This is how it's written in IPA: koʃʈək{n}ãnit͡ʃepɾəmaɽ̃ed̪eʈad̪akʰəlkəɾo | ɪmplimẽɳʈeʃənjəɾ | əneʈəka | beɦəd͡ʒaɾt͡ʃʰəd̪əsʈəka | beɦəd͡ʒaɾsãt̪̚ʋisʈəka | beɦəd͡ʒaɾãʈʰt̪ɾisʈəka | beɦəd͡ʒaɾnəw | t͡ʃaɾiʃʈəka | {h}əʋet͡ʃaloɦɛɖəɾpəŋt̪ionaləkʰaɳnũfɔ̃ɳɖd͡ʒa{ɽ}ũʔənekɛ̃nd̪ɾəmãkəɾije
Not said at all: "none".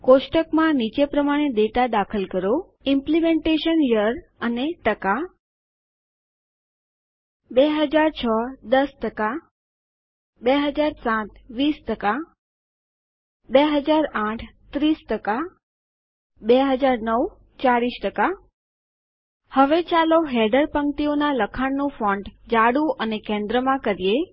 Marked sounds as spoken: m, h, ɽ

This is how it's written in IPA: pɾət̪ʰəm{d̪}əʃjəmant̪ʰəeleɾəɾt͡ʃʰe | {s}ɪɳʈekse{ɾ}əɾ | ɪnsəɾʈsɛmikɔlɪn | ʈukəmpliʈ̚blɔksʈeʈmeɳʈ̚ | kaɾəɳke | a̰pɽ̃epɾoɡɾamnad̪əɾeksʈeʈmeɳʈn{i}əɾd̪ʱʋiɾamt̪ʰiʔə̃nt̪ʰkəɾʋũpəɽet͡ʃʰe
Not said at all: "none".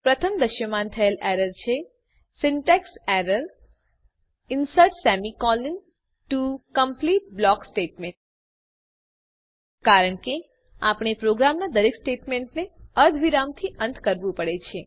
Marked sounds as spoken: d̪, s, ɾ, e

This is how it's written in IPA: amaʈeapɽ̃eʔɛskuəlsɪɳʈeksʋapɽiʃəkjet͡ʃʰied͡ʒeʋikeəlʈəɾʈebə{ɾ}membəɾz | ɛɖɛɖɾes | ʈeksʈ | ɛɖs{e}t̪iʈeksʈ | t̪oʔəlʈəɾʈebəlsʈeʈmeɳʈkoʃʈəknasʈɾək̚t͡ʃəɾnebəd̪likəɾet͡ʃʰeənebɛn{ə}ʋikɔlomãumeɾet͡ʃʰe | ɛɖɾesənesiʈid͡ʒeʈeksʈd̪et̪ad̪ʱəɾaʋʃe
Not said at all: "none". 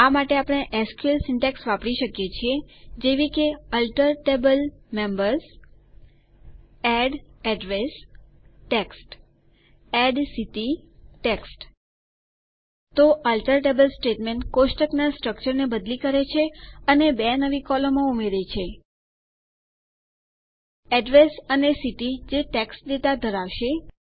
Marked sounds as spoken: l, i, ə

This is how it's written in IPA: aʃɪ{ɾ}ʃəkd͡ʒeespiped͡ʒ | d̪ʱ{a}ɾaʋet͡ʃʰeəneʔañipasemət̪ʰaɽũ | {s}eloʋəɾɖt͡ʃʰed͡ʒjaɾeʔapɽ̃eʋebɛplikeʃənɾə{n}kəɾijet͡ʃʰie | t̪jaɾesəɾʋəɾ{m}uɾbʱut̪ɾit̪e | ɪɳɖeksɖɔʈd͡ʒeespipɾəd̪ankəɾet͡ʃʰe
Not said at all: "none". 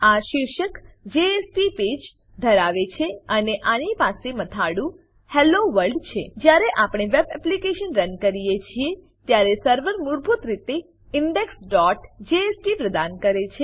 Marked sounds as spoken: ɾ, ə, h, n, m

